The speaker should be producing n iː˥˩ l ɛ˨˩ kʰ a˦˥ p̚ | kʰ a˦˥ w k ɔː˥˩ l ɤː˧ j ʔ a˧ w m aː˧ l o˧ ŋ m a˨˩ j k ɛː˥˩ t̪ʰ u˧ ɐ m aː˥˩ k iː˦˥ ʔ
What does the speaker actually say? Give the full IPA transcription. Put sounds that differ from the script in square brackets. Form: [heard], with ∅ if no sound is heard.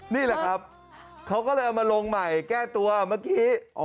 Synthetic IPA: n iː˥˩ l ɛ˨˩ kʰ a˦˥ p̚ | kʰ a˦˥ w k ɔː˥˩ l ɤː˧ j ʔ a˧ w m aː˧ l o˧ ŋ m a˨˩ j k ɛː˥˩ [t̪] u˧ ɐ m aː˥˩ k iː˦˥ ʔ

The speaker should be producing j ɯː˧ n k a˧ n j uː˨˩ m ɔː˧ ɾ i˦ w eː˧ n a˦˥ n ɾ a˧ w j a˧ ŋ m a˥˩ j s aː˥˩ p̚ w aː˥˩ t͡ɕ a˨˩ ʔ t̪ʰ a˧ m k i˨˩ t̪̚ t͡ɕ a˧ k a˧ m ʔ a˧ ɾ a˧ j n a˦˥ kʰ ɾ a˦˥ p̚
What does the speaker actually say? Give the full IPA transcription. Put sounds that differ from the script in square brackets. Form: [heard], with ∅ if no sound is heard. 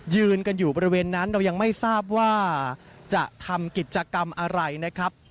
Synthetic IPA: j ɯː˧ n k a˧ n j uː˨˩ [b] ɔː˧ ɾ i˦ w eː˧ [nː] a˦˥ n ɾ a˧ w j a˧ ŋ m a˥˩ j s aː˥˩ p̚ w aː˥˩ t͡ɕ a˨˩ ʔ t̪ʰ a˧ m k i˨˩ t̪̚ t͡ɕ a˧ k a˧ m ʔ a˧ ɾ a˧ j n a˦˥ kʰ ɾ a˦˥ p̚

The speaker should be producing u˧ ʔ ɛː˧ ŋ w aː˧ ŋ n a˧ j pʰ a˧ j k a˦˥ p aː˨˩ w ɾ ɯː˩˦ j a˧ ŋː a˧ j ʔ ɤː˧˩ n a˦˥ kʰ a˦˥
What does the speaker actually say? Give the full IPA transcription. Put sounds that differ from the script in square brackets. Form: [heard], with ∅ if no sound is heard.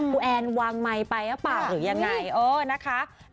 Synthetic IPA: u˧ ʔ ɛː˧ [n] w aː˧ ŋ [m] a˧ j [p] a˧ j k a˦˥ p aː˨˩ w ɾ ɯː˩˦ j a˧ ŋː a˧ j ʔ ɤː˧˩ n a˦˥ kʰ a˦˥

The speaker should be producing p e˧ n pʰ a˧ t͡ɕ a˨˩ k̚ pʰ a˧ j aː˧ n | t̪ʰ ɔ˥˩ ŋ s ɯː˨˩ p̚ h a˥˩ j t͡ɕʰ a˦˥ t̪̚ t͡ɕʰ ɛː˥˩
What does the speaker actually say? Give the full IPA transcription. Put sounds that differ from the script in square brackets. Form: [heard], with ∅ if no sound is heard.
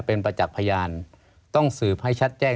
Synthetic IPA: p e˧ n [p] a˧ t͡ɕ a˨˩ k̚ pʰ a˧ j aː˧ n | [t̪] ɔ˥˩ ŋ s ɯː˨˩ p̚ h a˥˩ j t͡ɕʰ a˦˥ t̪̚ [t͡ɕ] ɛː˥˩

